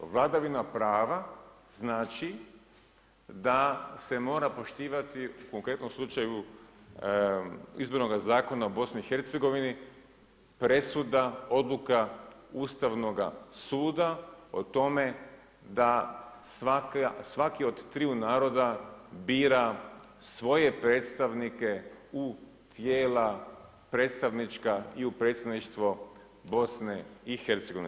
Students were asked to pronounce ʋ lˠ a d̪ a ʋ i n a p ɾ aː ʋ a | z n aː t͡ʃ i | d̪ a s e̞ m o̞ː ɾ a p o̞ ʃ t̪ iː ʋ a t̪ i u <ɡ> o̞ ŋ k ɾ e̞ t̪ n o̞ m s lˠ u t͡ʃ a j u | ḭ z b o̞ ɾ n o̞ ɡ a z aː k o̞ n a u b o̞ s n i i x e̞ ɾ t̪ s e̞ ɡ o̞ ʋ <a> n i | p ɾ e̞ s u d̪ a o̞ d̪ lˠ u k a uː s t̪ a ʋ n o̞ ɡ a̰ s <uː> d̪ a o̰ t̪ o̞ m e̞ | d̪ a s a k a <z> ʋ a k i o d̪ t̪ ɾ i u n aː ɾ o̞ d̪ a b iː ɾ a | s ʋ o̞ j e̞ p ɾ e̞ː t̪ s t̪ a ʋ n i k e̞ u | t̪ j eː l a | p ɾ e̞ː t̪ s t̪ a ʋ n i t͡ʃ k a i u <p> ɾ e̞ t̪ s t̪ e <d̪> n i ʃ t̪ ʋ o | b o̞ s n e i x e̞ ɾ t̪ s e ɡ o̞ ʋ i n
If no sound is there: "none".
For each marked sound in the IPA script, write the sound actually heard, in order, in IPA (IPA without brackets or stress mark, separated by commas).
k, i, uː, s, p, d̪